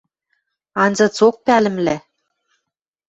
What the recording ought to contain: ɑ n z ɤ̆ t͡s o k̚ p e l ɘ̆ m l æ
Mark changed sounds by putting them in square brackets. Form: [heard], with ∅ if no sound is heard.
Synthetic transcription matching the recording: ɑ n z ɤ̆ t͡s o k̚ p [æ] l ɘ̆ m l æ